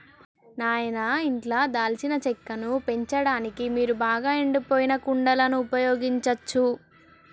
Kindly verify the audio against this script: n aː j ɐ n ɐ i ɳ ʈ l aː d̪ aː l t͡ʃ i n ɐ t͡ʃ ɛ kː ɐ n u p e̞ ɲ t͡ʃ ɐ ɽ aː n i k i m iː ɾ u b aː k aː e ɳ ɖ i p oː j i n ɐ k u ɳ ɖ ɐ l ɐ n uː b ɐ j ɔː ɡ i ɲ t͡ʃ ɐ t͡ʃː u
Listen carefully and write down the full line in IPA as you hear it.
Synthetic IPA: n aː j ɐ n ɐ i ɳ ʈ l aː d̪ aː l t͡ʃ i n ɐ t͡ʃ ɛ kː ɐ n u p e̞ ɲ t͡ʃ ɐ ɽ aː n i k i m iː ɾ u b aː ɡ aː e ɳ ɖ i p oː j i n ɐ k u ɳ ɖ ɐ l ɐ n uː p ɐ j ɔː ɡ i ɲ t͡ʃ ɐ t͡ʃː u